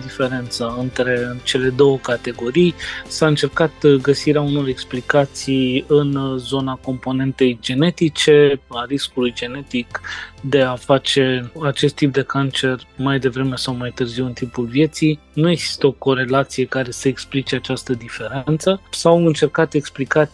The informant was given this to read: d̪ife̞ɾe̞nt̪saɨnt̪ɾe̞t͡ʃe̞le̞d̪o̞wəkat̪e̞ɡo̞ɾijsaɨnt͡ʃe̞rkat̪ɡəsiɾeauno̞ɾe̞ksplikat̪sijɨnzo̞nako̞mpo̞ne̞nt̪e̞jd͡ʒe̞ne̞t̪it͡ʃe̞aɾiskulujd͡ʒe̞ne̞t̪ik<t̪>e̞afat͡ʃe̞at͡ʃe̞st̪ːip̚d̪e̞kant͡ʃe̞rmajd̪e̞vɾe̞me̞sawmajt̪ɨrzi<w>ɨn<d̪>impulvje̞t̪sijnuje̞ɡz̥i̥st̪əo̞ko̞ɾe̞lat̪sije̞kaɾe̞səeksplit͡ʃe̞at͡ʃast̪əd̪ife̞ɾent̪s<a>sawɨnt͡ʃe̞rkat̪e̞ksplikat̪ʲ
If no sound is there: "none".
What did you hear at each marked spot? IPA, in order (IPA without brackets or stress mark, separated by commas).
d̪, w, t̪, ə